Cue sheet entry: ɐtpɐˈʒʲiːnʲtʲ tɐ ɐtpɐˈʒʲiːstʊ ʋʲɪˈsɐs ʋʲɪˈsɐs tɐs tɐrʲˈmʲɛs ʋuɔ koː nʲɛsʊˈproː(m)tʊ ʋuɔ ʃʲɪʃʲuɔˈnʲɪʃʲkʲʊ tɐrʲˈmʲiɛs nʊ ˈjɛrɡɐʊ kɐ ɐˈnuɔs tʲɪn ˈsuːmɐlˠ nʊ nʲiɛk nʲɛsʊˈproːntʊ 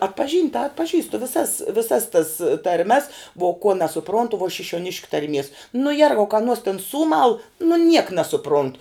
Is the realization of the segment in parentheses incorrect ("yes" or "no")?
yes